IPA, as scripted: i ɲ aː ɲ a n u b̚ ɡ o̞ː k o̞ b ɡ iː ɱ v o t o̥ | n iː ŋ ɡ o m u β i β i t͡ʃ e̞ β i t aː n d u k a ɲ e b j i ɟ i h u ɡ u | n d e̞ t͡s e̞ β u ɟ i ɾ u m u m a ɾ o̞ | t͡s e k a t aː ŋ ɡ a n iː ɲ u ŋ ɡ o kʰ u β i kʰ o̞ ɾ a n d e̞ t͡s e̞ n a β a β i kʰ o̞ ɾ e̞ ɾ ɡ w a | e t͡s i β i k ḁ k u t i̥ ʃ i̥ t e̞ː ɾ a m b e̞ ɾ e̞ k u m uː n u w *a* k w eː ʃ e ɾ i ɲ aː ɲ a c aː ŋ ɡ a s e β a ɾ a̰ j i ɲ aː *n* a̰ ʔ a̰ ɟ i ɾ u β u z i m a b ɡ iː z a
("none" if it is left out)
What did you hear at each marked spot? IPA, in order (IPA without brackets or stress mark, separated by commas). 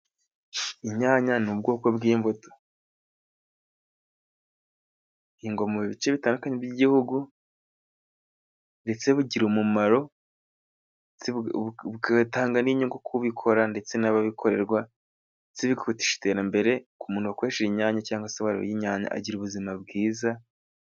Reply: a, ɲ